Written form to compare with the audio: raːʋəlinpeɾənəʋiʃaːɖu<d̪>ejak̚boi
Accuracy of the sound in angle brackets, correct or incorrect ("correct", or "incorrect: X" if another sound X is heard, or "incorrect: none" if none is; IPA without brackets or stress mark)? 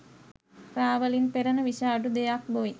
correct